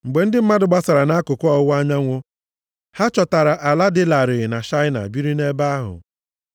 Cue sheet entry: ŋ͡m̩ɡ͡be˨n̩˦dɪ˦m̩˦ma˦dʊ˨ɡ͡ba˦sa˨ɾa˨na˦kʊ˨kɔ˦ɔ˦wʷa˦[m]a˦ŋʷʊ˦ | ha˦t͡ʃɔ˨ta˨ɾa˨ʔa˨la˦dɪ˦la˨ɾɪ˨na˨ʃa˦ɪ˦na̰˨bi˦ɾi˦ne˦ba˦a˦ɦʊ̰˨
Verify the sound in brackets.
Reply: incorrect: ɲ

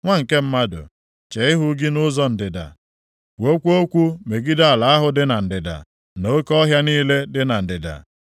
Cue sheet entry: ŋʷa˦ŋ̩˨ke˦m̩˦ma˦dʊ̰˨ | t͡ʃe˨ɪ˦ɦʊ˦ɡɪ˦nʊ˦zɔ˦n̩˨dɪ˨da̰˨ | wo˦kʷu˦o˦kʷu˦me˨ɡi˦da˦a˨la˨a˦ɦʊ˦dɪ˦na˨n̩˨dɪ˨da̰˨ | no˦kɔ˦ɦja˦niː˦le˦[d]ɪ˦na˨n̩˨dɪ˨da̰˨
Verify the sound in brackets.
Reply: correct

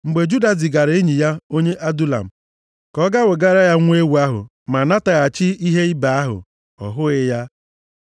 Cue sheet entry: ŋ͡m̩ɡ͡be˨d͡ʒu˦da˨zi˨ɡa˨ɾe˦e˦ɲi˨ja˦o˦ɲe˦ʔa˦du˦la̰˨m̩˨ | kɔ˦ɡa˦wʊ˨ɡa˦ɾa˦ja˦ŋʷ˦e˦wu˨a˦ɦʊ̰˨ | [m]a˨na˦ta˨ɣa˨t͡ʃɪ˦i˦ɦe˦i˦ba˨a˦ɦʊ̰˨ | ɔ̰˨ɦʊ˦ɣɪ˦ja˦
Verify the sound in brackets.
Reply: correct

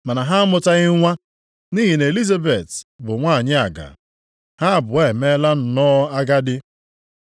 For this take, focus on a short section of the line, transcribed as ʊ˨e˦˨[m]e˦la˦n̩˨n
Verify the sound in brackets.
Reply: correct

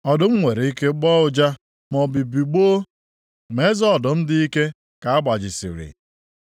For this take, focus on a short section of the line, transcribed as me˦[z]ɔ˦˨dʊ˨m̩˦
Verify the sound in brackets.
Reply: correct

